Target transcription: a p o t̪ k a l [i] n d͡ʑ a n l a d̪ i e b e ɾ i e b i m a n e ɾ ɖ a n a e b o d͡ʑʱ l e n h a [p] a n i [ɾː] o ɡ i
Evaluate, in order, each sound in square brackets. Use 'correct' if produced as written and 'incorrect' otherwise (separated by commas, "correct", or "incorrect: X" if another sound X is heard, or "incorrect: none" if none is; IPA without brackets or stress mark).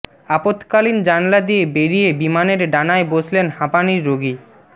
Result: correct, correct, correct